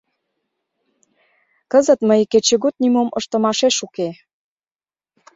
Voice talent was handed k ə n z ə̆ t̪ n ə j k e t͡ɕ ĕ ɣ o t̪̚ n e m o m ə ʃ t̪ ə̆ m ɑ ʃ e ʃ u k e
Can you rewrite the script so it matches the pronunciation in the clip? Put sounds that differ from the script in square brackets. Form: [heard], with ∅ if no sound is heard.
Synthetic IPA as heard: k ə [∅] z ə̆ t̪ [m] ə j k e t͡ɕ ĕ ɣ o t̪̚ n [i] m o m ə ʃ t̪ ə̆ m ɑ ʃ e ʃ u k e